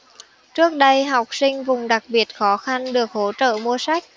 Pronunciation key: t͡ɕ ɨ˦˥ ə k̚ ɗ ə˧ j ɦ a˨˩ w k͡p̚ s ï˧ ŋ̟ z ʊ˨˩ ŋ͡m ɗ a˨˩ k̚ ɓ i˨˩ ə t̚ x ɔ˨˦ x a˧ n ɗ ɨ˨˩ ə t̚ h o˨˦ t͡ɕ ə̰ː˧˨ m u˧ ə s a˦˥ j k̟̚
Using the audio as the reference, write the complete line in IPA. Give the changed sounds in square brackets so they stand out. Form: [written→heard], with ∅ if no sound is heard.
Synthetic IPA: t͡ɕ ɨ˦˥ ə k̚ ɗ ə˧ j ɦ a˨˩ w k͡p̚ s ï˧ ŋ̟ [z→v] ʊ˨˩ ŋ͡m ɗ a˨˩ k̚ ɓ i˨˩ ə t̚ x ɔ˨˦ x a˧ n ɗ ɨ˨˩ ə [t̚→k̚] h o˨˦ t͡ɕ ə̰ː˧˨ m u˧ ə s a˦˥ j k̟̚